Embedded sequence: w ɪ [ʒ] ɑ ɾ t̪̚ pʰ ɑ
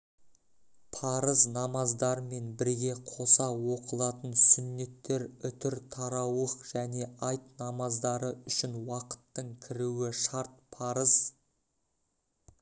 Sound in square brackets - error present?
yes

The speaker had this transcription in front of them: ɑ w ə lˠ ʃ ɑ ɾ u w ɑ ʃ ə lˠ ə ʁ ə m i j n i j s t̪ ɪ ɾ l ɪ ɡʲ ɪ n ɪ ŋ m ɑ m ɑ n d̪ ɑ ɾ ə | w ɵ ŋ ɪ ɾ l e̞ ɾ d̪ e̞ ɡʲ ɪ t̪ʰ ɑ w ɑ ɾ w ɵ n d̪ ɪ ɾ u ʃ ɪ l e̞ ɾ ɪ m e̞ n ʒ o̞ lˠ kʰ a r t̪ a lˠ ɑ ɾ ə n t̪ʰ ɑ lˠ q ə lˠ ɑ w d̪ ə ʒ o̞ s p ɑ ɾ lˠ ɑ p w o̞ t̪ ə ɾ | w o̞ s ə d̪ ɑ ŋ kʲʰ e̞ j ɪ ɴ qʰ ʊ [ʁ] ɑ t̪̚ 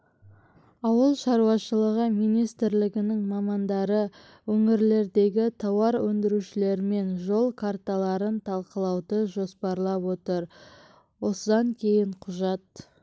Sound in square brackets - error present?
yes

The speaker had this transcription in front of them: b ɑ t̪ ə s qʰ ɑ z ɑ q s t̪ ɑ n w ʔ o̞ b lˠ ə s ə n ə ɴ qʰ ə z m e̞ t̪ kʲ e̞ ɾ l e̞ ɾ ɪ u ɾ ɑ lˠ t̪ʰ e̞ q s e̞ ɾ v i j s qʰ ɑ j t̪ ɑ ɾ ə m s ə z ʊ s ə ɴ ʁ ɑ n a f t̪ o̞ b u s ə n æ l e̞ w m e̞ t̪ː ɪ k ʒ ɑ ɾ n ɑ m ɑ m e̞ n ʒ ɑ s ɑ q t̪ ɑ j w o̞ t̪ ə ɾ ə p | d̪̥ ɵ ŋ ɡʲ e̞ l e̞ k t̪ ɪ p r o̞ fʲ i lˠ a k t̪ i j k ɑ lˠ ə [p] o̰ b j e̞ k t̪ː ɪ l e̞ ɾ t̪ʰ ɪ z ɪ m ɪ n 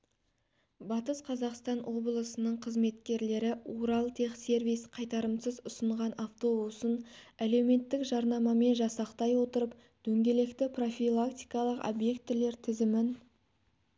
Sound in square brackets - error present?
yes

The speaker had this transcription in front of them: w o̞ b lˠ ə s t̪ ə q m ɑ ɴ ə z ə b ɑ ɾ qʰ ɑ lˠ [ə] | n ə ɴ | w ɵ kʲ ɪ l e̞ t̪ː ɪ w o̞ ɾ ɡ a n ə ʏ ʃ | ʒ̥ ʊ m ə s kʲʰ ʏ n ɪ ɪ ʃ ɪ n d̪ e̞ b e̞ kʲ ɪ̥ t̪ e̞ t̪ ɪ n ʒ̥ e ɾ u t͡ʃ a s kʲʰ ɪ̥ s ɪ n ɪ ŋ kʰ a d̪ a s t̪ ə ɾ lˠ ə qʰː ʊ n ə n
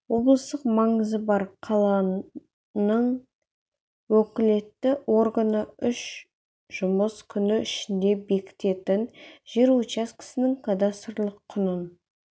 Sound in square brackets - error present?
yes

